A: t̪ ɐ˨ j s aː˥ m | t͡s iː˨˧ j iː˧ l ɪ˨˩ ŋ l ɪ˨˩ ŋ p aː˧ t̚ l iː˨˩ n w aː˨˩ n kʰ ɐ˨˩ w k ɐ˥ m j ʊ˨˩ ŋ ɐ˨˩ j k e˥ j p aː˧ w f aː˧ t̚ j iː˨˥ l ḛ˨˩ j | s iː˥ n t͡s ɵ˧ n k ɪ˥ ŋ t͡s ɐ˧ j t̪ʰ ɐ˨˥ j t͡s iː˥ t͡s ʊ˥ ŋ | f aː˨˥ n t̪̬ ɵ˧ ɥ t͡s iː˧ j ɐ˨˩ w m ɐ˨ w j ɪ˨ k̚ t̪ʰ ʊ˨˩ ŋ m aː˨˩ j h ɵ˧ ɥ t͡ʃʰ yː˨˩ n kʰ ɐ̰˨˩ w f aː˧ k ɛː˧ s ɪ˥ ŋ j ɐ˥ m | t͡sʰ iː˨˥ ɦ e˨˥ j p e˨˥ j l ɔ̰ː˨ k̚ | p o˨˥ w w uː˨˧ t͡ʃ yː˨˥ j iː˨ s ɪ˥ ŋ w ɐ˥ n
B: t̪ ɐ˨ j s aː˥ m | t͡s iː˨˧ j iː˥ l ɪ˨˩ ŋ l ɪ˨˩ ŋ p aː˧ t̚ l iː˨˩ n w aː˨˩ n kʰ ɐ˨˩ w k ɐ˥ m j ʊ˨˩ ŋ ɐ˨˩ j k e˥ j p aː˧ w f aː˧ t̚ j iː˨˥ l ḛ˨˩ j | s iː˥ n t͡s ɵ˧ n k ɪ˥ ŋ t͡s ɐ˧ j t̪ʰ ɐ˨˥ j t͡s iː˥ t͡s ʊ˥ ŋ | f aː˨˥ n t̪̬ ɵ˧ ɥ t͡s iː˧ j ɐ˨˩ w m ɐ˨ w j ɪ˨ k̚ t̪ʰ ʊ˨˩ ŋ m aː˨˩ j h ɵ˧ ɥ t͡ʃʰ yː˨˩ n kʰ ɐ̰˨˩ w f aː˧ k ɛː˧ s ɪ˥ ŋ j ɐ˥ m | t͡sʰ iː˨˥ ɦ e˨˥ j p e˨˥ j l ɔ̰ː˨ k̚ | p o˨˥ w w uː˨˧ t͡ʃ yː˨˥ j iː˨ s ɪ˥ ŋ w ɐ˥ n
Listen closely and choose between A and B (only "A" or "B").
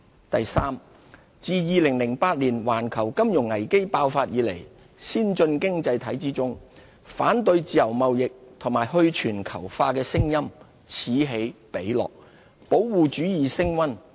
A